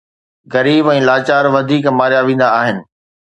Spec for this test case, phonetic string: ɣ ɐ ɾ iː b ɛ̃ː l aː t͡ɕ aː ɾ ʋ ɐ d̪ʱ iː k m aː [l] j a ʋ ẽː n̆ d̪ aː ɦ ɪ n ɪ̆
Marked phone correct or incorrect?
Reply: incorrect